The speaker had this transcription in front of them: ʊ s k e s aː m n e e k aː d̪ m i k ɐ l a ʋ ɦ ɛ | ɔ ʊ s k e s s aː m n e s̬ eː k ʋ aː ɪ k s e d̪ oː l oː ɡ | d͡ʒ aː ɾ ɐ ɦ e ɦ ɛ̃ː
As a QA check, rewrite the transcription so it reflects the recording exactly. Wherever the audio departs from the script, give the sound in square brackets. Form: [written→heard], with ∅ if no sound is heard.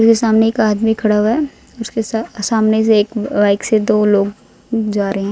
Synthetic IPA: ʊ s k e s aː m n e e k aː d̪ m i [k→kʰ] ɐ [l→ɽ] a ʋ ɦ ɛ | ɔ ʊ s k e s s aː m n e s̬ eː k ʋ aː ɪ k s e d̪ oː l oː ɡ | d͡ʒ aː ɾ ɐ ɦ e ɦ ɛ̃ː